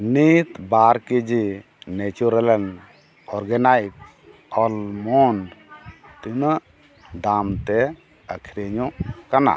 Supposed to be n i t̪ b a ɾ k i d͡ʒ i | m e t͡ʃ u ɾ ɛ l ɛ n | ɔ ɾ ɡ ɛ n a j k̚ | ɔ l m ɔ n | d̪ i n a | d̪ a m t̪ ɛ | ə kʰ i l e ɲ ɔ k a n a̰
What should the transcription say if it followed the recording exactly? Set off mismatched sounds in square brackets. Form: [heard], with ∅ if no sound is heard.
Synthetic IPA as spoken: n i t̪ b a ɾ k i d͡ʒ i | [n] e t͡ʃ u ɾ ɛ l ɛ n | ɔ ɾ ɡ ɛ n a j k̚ | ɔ l m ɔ n | [t̪] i n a | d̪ a m t̪ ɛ | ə kʰ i [ɾ] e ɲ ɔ k a n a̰